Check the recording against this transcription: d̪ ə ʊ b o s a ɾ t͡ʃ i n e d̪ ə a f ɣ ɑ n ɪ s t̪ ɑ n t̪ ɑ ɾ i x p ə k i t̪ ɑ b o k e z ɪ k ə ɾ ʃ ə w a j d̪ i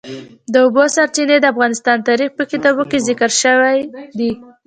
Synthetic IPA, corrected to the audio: d̪ ə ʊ b o s a ɾ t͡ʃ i n e d̪ ə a f ɣ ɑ n ɪ s t̪ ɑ n t̪ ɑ ɾ i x p ə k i t̪ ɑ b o k e z ɪ k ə ɾ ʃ ə w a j d̪ i

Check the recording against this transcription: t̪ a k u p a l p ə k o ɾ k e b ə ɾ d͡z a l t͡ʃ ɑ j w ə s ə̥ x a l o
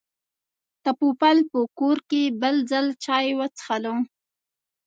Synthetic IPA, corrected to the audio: t̪ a p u p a l p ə k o ɾ k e b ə l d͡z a l t͡ʃ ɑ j w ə t͡s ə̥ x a l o

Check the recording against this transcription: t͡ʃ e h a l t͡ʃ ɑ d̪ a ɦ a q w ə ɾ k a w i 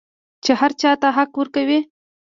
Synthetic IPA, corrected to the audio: t͡ʃ e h a ɾ t͡ʃ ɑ t̪ a ɦ a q w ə ɾ k a w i

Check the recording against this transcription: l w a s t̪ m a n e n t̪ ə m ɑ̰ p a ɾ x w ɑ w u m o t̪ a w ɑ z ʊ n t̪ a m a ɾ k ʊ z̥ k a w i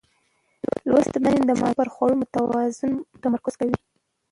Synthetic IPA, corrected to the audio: l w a s t̪ m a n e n d̪ ə m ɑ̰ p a ɾ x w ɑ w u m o t̪ a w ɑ z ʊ n t̪ a m a ɾ k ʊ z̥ k a w i

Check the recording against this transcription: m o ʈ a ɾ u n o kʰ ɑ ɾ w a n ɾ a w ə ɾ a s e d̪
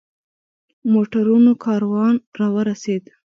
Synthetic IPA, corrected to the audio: m o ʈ a ɾ u n o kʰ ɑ ɾ w ɑ n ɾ ɑ w ə ɾ a s e d̪

